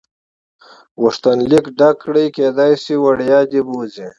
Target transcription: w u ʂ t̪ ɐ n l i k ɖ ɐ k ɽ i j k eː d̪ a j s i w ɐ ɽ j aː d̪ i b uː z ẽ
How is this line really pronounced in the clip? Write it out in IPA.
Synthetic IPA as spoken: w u ʂ t̪ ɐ n l i k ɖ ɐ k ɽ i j k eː d̪ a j s i w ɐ ɽ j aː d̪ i b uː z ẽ